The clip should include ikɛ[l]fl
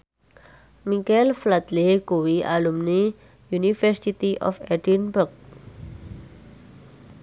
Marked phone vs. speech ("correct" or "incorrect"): correct